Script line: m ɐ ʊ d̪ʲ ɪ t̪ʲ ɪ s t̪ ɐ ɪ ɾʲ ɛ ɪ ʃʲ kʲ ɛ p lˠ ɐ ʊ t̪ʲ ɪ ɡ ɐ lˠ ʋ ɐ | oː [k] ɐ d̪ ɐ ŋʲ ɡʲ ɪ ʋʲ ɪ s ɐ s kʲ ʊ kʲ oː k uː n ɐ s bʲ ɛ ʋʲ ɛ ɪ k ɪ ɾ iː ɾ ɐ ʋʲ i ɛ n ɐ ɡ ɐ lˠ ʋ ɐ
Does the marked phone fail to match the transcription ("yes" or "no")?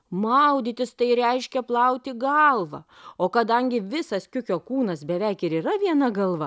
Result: no